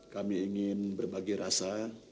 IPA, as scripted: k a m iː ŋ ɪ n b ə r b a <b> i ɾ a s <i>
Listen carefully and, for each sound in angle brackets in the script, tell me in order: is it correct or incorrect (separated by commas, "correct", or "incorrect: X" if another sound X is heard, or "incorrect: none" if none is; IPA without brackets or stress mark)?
incorrect: ɡ, incorrect: a